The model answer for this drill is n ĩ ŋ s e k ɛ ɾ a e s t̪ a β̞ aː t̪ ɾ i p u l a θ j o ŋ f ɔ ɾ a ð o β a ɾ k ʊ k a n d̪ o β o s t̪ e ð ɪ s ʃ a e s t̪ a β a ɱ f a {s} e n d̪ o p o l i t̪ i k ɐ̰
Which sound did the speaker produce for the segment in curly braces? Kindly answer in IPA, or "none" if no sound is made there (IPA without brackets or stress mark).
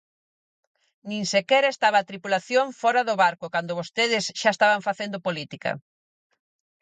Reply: θ